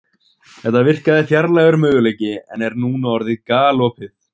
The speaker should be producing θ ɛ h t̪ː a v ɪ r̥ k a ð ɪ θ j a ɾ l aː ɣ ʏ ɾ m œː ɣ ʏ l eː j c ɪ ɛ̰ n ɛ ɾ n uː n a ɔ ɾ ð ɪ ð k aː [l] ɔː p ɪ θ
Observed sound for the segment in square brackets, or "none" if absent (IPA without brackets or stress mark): l